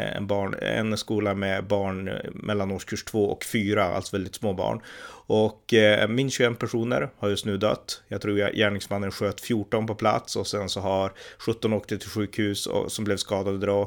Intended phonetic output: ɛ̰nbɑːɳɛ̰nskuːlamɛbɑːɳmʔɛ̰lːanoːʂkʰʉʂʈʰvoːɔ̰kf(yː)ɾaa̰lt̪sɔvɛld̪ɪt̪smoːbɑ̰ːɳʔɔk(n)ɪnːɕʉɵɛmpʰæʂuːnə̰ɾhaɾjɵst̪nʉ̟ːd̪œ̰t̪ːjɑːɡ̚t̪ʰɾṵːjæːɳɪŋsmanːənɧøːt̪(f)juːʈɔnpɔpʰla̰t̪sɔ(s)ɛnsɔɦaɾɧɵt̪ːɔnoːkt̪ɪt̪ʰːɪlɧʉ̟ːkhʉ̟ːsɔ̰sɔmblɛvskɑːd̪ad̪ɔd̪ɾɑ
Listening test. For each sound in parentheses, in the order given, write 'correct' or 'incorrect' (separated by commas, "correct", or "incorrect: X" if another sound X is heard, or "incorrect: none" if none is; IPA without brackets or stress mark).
correct, incorrect: m, correct, correct